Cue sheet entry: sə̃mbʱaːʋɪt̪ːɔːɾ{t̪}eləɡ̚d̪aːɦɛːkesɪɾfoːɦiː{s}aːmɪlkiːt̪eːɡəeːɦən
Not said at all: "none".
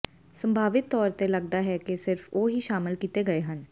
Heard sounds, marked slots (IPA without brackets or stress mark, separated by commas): t̪, ʃ